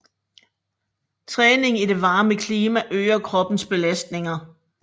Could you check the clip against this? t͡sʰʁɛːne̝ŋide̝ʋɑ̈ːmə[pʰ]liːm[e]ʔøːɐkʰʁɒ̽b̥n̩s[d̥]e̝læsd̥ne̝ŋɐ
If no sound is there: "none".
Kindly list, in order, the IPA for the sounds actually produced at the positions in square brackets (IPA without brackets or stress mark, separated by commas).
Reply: kʰ, æ, b̥